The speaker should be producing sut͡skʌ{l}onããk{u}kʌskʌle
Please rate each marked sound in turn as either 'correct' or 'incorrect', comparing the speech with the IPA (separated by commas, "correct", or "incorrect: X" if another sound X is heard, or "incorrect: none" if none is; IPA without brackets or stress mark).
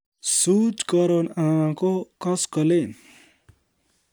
incorrect: ɾ, incorrect: o